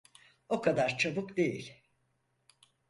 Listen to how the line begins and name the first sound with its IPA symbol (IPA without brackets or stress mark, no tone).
o̞